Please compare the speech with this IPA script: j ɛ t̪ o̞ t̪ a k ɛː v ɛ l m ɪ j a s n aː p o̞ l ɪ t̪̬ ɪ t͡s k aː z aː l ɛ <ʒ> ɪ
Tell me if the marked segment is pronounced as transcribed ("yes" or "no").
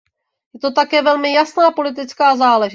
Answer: yes